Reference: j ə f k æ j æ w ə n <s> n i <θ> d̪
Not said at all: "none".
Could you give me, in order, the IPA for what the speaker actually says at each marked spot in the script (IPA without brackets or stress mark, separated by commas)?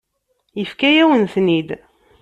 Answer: θ, none